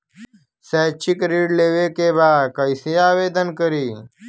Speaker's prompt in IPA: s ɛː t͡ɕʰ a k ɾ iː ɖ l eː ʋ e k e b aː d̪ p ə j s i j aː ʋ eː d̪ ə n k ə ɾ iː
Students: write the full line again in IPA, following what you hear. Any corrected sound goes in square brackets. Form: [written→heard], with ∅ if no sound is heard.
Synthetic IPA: s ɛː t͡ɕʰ [a→i] k ɾ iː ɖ l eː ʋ e k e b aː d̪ [p→k] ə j s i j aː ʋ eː d̪ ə n k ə ɾ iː

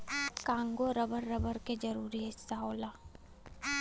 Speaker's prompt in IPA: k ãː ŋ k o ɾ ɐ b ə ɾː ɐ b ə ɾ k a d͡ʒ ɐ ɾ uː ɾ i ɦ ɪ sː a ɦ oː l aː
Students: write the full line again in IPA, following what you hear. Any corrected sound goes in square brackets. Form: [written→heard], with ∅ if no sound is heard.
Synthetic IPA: k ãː ŋ [k→ɡ] o ɾ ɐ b ə ɾː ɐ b ə ɾ k [a→e] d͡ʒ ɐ ɾ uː ɾ i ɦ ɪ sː a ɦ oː l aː

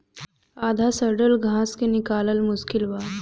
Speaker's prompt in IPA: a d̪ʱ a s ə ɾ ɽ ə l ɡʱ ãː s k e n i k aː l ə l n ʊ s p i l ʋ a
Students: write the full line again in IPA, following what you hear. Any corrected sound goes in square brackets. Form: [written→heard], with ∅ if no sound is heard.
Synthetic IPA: a d̪ʱ a s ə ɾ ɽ ə l ɡʱ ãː s k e n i k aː l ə l [n→m] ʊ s [p→k] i l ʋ a

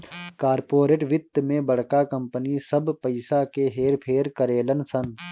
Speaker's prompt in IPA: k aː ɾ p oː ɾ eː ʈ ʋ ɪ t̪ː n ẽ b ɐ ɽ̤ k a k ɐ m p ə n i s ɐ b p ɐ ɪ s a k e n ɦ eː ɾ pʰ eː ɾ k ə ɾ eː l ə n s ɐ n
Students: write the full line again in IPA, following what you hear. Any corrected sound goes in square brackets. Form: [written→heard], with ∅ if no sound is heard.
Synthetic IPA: k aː ɾ p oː ɾ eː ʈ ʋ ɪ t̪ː [n→m] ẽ b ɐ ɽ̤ k a k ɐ m p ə n i s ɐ b p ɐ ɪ s a k e [n→∅] ɦ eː ɾ pʰ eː ɾ k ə ɾ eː l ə n s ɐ n

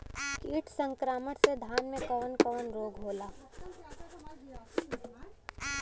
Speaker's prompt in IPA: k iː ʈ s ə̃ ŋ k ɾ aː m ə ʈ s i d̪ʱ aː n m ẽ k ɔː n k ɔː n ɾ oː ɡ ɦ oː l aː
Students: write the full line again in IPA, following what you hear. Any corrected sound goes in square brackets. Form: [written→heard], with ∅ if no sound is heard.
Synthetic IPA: k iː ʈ s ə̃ ŋ k ɾ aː m ə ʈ s [i→e] d̪ʱ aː n m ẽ k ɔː n k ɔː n ɾ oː ɡ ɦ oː l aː

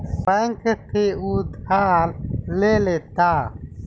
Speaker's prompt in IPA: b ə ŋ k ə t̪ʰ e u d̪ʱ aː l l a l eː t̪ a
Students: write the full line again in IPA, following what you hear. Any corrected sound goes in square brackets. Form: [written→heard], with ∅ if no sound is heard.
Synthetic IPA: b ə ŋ k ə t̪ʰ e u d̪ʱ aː l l [a→e] l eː t̪ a

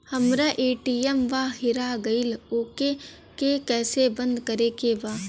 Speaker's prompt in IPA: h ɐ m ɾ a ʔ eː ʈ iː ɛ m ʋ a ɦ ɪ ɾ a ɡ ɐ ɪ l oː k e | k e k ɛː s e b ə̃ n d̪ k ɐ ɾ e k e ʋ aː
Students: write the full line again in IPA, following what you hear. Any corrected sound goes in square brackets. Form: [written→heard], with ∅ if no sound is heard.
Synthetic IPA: h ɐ m ɾ a ʔ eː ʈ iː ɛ m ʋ a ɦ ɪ ɾ a ɡ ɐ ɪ l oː k e | k e k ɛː s e b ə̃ n d̪ k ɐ ɾ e k e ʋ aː

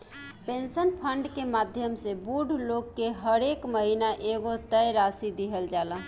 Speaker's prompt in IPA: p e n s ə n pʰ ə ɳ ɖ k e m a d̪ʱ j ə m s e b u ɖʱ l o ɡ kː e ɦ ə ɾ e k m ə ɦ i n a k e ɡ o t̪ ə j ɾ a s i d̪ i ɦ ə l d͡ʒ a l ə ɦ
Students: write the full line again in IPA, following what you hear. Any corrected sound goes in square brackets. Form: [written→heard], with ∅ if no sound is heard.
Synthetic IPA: p e n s ə n pʰ ə ɳ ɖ k e m a d̪ʱ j ə m s e b u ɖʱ l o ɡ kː e ɦ ə ɾ e k m ə ɦ i n a [k→ʔ] e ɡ o t̪ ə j ɾ a s i d̪ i ɦ ə l d͡ʒ a l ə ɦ

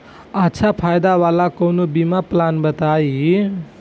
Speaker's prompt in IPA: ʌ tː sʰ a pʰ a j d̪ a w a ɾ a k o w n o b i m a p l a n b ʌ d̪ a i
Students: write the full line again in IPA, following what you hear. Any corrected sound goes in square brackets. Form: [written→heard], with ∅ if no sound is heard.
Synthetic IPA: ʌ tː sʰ a pʰ a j d̪ a w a [ɾ→l] a k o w n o b i m a p l a n b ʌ [d̪→t̪] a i

